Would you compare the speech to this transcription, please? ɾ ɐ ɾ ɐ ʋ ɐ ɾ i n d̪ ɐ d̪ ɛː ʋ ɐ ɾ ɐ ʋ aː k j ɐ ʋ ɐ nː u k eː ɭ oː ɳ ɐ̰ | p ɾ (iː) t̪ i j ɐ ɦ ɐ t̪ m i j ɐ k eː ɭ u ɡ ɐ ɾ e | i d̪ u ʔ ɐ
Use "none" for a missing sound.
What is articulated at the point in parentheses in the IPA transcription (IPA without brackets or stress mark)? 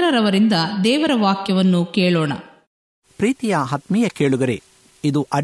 iː